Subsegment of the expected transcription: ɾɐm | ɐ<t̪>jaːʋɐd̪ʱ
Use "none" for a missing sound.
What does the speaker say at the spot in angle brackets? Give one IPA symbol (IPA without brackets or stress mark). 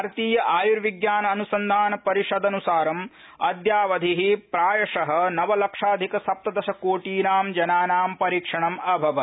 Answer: d̪